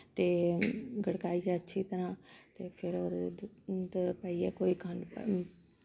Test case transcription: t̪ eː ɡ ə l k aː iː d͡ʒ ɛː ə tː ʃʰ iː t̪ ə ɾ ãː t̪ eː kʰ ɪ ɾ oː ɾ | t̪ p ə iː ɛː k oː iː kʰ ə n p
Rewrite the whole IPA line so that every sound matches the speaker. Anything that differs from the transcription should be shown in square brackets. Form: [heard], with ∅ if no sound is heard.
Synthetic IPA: t̪ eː ɡ ə [ɽ] k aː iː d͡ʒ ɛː ə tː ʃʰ iː t̪ ə ɾ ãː t̪ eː [pʰ] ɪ ɾ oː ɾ | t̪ p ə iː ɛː k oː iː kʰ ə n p

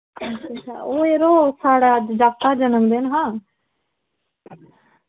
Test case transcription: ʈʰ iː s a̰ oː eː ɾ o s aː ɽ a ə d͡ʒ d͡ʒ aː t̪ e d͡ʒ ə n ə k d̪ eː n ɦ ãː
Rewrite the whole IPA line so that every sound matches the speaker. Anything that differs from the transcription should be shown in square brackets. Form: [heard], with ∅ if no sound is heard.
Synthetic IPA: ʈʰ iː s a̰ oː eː ɾ o s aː ɽ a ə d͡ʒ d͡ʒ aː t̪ [a] d͡ʒ ə n ə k d̪ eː n ɦ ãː

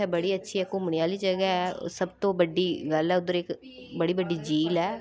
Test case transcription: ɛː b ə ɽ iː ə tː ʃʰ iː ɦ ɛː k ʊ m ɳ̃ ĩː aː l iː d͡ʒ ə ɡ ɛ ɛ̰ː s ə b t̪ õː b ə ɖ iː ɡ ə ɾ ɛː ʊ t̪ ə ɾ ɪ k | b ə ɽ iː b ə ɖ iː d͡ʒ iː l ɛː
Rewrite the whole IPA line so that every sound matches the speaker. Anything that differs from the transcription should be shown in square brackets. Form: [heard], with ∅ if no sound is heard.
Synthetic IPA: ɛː b ə ɽ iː ə tː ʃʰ iː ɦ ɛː k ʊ m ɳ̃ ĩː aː l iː d͡ʒ ə ɡ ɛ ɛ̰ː s ə b t̪ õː b ə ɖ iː ɡ ə [l] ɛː ʊ [d̪] ə ɾ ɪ k | b ə ɽ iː b ə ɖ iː d͡ʒ iː l ɛː

